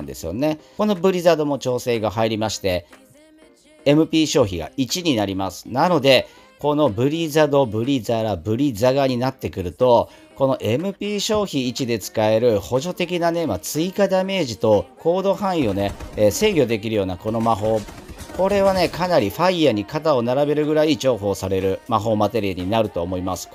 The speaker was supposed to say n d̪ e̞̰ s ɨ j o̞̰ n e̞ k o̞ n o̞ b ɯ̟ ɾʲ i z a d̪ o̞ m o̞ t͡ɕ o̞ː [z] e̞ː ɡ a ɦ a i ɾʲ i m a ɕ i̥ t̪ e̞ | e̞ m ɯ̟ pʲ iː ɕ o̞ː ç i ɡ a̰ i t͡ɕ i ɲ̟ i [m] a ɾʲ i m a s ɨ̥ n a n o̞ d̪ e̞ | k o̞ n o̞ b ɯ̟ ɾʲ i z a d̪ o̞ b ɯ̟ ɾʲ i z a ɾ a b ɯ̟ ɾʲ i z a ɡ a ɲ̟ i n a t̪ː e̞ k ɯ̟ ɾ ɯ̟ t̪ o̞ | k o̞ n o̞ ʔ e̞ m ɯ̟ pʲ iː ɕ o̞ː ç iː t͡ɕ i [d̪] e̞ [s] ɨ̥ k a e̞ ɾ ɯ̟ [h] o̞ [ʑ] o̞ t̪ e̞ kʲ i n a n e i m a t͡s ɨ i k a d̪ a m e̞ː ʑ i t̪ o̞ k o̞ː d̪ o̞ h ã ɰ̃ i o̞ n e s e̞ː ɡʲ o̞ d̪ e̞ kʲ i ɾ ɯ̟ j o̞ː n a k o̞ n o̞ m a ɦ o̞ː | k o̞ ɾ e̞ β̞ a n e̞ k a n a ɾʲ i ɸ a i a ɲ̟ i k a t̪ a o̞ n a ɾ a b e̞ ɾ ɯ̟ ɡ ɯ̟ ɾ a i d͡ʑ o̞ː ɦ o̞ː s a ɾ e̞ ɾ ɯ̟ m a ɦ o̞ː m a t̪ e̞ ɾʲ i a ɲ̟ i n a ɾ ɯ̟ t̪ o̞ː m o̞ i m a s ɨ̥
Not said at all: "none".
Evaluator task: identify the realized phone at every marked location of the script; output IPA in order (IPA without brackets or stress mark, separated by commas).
s, n, d̪, t͡s, h, ʑ